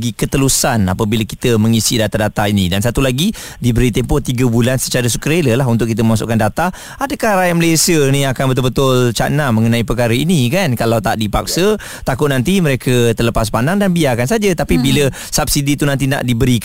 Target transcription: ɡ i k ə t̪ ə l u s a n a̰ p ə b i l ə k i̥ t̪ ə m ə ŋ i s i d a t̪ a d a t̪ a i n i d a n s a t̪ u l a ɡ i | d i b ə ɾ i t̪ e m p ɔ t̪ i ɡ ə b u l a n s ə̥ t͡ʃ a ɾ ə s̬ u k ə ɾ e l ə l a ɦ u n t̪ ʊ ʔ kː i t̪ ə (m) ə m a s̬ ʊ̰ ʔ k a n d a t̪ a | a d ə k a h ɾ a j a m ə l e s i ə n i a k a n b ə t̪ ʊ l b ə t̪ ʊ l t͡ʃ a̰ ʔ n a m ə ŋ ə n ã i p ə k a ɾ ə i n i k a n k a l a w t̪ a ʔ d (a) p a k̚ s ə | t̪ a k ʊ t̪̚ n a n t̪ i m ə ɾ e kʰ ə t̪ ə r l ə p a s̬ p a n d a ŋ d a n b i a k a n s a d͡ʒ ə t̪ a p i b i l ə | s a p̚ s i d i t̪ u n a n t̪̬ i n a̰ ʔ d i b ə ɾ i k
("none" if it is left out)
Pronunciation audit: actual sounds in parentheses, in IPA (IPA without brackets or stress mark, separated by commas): m, i